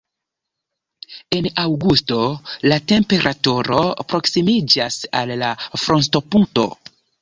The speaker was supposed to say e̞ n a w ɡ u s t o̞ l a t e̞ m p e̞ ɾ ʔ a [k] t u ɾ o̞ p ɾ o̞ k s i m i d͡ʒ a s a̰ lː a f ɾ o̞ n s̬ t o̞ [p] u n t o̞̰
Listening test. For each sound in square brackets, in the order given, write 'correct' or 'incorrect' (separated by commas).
incorrect, correct